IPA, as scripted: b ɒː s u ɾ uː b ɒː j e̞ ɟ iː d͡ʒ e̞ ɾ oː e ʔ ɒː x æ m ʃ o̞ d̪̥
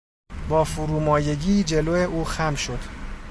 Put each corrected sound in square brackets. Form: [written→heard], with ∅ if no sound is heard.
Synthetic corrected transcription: b ɒː [s→f] u ɾ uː [b→m] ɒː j e̞ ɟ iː d͡ʒ e̞ [ɾ→l] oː e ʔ [ɒː→uː] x æ m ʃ o̞ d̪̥